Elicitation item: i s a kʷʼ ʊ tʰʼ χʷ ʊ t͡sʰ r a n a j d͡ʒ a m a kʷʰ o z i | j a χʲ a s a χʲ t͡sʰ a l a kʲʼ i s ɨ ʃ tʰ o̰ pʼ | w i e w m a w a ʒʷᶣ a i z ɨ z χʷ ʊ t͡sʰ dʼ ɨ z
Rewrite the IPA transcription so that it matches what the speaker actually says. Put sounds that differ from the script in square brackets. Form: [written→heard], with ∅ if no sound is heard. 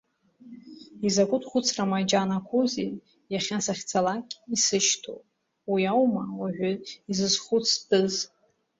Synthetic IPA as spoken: i [s→z] a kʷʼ ʊ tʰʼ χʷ ʊ t͡sʰ r a [n→m] a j d͡ʒ a [m→n] a kʷʰ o z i | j a χʲ a s a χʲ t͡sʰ a l a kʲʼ i s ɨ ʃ tʰ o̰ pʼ | w i [e→a] w m a w a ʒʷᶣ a i z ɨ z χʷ ʊ t͡sʰ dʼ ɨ z

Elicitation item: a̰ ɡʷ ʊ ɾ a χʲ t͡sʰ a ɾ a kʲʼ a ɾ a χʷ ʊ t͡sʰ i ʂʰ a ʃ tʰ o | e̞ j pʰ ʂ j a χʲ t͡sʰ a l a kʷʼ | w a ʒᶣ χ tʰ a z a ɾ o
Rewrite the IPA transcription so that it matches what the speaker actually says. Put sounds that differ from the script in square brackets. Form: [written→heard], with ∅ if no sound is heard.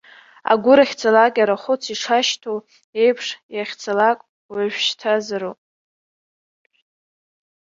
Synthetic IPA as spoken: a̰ ɡʷ ʊ ɾ a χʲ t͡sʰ a [ɾ→l] a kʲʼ a ɾ a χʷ ʊ t͡sʰ i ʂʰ a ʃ tʰ o | e̞ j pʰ ʂ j a χʲ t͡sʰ a l a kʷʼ | w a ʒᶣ [χ→ʃ] tʰ a z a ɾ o

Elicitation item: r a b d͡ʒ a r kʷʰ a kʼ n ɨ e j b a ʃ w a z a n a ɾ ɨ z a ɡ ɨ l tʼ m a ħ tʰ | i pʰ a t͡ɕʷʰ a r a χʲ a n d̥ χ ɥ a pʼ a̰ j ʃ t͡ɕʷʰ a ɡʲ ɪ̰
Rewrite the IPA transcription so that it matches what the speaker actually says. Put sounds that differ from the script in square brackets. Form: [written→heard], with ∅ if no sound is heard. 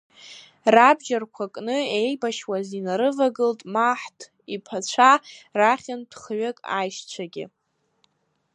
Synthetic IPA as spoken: r a b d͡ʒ a r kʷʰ a kʼ n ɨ e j b a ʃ w a z [a→i] n a ɾ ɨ [z→v] a ɡ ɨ l tʼ m a ħ tʰ | i pʰ a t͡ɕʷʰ a r a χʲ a n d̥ χ ɥ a [pʼ→kʼ] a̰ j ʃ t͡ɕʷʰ a ɡʲ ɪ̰

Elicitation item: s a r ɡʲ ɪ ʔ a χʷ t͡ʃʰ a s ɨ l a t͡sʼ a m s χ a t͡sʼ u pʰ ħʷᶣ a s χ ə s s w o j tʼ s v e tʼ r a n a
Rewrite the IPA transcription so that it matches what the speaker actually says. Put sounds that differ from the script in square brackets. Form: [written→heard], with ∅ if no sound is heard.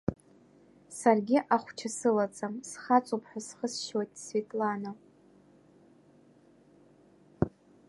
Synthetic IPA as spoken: s a r ɡʲ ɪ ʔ a χʷ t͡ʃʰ a s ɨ l a t͡sʼ a m s χ a t͡sʼ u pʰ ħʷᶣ a s χ ə s [s→ʃ] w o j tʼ s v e tʼ [r→l] a n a

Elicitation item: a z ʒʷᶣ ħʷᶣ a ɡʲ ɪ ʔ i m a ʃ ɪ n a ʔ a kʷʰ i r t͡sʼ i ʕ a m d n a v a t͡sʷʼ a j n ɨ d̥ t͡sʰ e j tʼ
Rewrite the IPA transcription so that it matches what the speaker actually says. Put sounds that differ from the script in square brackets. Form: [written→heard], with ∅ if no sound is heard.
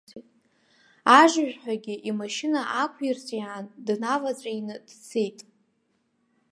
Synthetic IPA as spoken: a [z→ʒ] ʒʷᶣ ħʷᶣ a ɡʲ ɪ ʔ i m a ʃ ɪ n a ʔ a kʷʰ i r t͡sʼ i ʕ a [m→n] d n a v a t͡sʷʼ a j n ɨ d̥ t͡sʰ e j tʼ

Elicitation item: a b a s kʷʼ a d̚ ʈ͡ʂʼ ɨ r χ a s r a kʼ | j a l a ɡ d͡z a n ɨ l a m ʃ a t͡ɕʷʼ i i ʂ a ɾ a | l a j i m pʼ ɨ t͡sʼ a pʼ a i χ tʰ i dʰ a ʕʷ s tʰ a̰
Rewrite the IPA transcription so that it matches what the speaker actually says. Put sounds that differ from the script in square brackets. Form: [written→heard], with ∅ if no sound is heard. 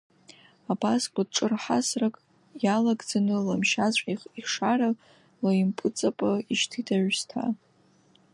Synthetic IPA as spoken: a b a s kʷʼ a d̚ ʈ͡ʂʼ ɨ r [χ→ħ] a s r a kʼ | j a l a ɡ d͡z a n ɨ l a m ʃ a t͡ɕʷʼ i i ʂ a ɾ a | l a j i m pʼ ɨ t͡sʼ a pʼ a i [χ→ʃ] tʰ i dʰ a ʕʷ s tʰ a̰

